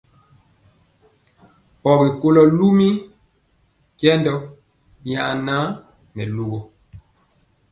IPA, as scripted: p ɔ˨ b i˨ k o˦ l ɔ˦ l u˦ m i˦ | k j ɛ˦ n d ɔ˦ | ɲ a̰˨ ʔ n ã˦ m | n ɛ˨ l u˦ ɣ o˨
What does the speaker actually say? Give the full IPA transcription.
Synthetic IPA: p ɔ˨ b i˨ k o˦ l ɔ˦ l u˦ m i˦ | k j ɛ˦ n d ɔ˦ | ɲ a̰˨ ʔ n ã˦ | n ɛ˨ l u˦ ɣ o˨